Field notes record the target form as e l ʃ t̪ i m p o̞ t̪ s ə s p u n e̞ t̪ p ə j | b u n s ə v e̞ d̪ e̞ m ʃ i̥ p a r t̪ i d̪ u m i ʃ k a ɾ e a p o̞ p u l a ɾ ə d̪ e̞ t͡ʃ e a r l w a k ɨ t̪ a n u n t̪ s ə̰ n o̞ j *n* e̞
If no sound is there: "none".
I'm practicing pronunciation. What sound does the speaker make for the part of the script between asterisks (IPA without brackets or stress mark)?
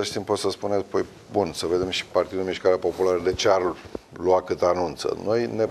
n